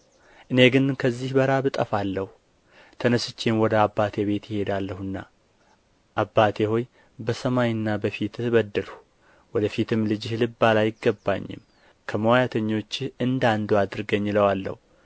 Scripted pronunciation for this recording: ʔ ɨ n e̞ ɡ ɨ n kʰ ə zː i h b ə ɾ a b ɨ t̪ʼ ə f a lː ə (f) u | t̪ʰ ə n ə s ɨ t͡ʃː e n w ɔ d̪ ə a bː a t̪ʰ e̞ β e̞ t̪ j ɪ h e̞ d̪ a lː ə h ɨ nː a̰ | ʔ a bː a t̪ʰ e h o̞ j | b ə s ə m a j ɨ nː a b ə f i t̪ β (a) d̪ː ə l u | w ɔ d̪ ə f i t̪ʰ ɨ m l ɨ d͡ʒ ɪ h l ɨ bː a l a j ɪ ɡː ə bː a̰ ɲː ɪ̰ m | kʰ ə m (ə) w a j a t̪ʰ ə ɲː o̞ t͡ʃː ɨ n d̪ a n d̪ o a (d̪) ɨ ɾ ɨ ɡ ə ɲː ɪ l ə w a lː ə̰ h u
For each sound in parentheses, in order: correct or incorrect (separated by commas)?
incorrect, incorrect, correct, correct